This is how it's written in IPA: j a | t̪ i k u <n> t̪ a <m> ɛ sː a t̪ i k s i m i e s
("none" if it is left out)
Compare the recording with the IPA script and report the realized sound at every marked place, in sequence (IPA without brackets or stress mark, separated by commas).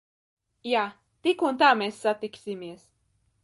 n, m